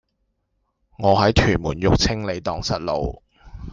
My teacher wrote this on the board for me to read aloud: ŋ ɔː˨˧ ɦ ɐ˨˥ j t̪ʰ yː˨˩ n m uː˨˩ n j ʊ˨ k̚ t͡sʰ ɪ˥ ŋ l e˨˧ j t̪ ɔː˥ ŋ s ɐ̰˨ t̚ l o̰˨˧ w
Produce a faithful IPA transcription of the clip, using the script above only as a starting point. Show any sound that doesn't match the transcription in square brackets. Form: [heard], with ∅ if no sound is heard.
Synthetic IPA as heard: ŋ ɔː˨˧ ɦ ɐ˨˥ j t̪ʰ yː˨˩ n m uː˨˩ n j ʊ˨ k̚ t͡sʰ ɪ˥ ŋ l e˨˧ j t̪ [ɔː˨] ŋ s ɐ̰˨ t̚ l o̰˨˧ w